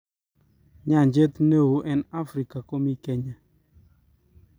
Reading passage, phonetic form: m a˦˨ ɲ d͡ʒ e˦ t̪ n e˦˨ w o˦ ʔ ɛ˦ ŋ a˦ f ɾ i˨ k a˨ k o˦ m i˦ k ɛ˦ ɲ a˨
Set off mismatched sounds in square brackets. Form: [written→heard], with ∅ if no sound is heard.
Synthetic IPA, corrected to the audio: [m→ɲ] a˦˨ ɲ d͡ʒ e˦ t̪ n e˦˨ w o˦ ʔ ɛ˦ [ŋ→n] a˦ f ɾ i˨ k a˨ k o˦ m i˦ k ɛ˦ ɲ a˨